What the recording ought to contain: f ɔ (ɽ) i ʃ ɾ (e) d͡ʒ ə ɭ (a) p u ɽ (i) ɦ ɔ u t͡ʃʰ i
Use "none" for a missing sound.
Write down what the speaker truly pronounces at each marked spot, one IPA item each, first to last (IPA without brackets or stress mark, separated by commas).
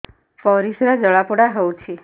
ɾ, a, a, a